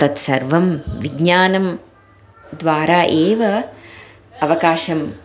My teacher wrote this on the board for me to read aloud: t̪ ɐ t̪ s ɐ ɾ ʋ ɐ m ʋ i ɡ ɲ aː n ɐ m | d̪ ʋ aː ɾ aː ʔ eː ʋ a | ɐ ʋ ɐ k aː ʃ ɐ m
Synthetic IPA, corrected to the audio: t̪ ɐ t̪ s ɐ ɾ ʋ ɐ m ʋ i ɡ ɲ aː n ɐ m | d̪ ʋ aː ɾ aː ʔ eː ʋ ɐ | ɐ ʋ ɐ k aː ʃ ɐ m